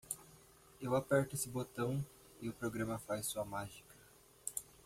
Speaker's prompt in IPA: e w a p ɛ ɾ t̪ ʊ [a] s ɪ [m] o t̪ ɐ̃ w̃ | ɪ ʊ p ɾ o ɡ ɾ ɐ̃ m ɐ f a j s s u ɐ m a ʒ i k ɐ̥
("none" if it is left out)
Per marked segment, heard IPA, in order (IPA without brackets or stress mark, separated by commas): e, b